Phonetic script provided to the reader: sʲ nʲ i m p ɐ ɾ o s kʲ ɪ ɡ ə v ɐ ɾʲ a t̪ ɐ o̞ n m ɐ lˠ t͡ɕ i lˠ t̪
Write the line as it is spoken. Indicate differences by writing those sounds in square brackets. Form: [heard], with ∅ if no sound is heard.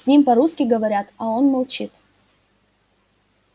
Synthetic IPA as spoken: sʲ nʲ i m p ɐ ɾ [u] s kʲ ɪ ɡ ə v ɐ ɾʲ a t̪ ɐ o̞ n m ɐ lˠ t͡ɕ i [∅] t̪

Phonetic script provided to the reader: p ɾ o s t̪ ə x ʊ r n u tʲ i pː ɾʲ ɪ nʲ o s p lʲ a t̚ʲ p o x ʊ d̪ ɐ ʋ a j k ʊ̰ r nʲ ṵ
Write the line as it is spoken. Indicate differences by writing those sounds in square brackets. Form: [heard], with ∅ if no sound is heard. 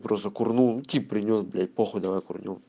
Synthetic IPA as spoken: p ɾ o s t̪ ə [k] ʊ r n u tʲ i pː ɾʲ ɪ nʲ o s [b] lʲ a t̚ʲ p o x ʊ d̪ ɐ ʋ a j k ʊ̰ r nʲ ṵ

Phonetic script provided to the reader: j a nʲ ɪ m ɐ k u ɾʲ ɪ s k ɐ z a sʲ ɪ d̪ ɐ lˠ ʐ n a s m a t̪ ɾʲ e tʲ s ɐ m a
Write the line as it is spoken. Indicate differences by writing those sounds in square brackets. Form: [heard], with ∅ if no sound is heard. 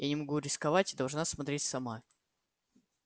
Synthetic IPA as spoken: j a nʲ ɪ m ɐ [ɡ] u ɾʲ ɪ s k ɐ [v] a [tʲ] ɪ d̪ ɐ lˠ ʐ n a s m [ɐ] t̪ ɾʲ e tʲ s ɐ m a

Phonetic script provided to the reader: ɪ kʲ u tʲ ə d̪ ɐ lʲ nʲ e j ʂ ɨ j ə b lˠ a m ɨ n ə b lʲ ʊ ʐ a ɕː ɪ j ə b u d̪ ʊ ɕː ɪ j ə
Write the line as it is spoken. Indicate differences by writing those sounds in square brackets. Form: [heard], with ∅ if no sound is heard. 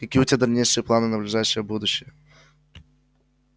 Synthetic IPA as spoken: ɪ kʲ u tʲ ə d̪ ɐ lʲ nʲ e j ʂ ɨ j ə [p] lˠ a [n] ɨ n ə b lʲ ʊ ʐ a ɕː ɪ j ə b u d̪ ʊ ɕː ɪ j ə

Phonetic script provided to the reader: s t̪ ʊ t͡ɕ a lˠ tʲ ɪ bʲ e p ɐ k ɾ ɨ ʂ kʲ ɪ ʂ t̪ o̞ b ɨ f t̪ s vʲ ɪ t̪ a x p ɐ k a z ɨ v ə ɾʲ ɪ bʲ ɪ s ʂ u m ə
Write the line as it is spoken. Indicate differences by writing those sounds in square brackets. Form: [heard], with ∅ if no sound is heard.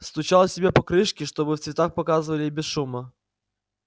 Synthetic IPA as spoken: s t̪ ʊ t͡ɕ a lˠ [sʲ] ɪ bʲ e p ɐ k ɾ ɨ ʂ kʲ ɪ ʂ t̪ o̞ b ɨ f t̪ s vʲ ɪ t̪ a x p ɐ k a z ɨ v ə [lʲ] ɪ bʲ ɪ s ʂ u m ə

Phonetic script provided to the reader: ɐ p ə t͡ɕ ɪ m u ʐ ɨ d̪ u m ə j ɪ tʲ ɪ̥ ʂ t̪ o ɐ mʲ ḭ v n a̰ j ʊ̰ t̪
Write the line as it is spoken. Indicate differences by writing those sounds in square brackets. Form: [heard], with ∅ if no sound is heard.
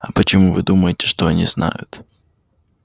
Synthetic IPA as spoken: ɐ p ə t͡ɕ ɪ m u [v] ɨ d̪ u m ə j ɪ tʲ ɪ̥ ʂ t̪ o ɐ [nʲ] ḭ [z] n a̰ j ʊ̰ t̪

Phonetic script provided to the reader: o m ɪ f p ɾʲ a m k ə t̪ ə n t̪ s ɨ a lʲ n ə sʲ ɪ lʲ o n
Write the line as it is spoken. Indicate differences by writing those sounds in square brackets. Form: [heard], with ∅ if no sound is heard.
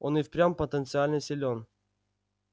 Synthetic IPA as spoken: o [n] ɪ f p ɾʲ a m [p] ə t̪ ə n t̪ s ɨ a lʲ n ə sʲ ɪ lʲ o n

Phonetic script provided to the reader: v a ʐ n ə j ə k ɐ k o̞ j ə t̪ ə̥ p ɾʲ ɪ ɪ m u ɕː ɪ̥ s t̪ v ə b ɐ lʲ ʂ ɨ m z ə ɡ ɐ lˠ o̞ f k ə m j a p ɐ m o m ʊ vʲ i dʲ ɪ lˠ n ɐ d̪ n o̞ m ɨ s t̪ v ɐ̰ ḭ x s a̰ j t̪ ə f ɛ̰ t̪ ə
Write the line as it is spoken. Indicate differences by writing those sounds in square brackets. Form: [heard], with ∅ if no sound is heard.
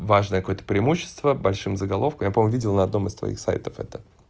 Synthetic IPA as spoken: v a ʐ n ə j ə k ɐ k o̞ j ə t̪ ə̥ p ɾʲ ɪ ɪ m u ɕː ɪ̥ s t̪ v ə b ɐ lʲ ʂ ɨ m z ə ɡ ɐ lˠ o̞ f k ə m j a p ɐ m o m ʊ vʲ i dʲ ɪ lˠ n ɐ d̪ n o̞ m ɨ s t̪ v ɐ̰ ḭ x s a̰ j t̪ ə f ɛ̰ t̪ ə

